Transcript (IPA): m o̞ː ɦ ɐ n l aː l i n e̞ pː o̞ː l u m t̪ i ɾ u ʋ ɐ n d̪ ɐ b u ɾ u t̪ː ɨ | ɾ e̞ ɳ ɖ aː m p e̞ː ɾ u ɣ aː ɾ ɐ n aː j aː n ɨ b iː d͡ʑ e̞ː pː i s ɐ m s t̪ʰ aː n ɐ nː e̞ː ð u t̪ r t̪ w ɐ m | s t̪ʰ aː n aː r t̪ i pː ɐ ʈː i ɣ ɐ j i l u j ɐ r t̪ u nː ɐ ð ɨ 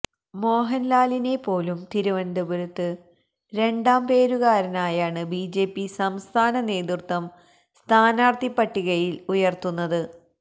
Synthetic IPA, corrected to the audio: m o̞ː ɦ ɐ n l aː l i n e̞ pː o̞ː l u m t̪ i ɾ u ʋ ɐ n d̪ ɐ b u ɾ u t̪ː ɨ | ɾ e̞ ɳ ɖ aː m p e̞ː ɾ u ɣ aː ɾ ɐ n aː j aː ɳ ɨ b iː d͡ʑ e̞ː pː i s ɐ m s t̪ʰ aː n ɐ n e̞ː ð u r t̪ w ɐ m | s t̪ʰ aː n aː r t̪ i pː ɐ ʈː i ɣ ɐ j i l u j ɐ r t̪ u nː ɐ ð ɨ